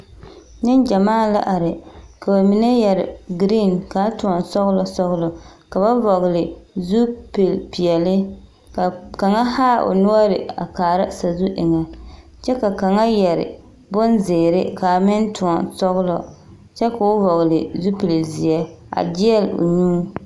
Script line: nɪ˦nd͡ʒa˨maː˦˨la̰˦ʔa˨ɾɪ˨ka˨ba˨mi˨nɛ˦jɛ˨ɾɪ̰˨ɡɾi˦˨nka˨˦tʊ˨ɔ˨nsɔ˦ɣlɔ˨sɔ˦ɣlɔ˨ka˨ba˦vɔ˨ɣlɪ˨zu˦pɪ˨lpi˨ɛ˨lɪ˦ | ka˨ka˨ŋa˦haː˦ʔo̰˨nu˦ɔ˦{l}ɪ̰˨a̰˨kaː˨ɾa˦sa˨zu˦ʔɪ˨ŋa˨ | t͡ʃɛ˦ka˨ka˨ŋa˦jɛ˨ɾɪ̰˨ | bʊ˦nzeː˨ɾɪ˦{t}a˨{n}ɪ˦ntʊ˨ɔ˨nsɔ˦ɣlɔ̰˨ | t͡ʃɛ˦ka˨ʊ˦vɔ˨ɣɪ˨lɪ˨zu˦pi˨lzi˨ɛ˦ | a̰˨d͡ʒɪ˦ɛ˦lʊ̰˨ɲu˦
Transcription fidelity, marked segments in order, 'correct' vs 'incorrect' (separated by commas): incorrect, incorrect, incorrect